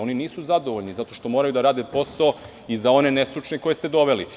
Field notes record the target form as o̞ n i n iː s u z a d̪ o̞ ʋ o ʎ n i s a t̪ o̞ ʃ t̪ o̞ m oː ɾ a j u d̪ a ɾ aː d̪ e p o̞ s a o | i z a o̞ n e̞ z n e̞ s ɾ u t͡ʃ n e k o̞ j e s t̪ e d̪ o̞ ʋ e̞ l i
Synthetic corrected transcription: o̞ n i n iː s u z a d̪ o̞ ʋ o ʎ n i z a t̪ o̞ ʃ t̪ o̞ m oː ɾ a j u d̪ a ɾ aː d̪ e p o̞ s a o | i z a o̞ n e̞ n e̞ s ɾ u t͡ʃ n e k o̞ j e s t̪ e d̪ o̞ ʋ e̞ l i